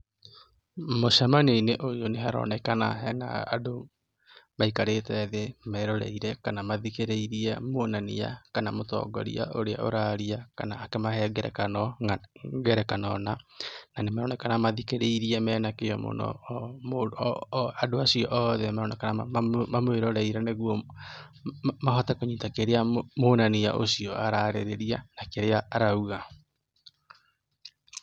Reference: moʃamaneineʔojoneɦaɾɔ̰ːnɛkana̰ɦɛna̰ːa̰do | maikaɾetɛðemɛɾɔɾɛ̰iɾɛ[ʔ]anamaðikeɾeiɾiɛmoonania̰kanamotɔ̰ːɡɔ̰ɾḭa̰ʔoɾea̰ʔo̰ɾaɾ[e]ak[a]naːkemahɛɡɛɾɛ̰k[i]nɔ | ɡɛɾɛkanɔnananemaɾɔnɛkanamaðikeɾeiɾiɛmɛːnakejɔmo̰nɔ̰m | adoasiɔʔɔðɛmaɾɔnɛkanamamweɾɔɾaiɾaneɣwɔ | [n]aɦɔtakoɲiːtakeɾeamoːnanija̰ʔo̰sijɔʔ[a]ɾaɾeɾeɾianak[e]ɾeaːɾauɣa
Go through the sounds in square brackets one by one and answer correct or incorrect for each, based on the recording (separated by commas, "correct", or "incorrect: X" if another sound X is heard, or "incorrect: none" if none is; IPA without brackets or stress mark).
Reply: incorrect: k, incorrect: i, correct, incorrect: a, incorrect: m, correct, correct